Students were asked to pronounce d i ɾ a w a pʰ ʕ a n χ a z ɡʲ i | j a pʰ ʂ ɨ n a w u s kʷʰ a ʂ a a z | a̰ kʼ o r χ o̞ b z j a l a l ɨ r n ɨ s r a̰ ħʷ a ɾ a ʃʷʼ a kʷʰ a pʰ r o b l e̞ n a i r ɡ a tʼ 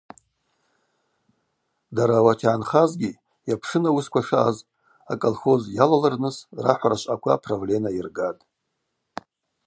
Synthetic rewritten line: d a ɾ a w a tʰ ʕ a n χ a z ɡʲ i | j a pʰ ʂ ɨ n a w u s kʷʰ a ʂ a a z | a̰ kʼ o l χ o̞ z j a l a l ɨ r n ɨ s r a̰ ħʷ a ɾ a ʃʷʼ a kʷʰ a pʰ r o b l e̞ n a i r ɡ a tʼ